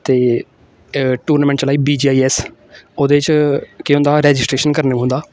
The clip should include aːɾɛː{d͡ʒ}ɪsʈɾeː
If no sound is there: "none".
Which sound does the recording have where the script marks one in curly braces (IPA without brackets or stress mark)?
d͡ʒ